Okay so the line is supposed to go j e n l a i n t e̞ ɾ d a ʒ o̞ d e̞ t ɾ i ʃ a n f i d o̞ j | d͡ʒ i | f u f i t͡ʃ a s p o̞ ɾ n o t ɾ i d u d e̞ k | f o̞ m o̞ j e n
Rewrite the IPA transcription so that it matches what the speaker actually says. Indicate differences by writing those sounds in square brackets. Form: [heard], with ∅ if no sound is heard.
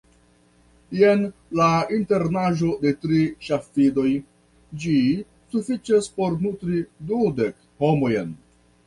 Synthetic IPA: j e n l a i n t e̞ ɾ [n] a ʒ o̞ d e̞ t ɾ i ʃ a [∅] f i d o̞ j | d͡ʒ i | [s] u f i t͡ʃ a s p o̞ ɾ n [u] t ɾ i d u d e̞ k | [h] o̞ m o̞ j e n